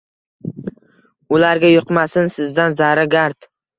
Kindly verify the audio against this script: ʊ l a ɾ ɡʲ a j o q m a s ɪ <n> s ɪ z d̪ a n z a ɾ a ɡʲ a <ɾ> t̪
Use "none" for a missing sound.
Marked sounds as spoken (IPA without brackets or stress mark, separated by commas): n, ɾ